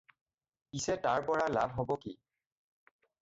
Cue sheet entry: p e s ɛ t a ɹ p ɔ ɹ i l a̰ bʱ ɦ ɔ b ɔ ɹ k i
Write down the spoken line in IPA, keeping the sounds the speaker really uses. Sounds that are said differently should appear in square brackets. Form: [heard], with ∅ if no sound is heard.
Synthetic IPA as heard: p [i] s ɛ t a ɹ p ɔ ɹ [a] l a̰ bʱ ɦ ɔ b ɔ [∅] k i